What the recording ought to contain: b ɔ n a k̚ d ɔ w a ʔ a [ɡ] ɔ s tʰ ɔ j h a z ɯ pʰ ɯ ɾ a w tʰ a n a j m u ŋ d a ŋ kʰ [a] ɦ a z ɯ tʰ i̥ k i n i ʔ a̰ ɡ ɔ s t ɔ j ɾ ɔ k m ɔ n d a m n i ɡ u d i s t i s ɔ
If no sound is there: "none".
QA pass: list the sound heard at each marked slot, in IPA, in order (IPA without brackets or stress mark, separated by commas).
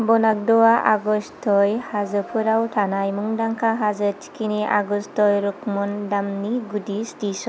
ɡ, a